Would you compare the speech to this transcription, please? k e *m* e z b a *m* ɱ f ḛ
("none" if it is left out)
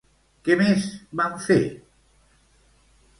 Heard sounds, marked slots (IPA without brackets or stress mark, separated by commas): m, none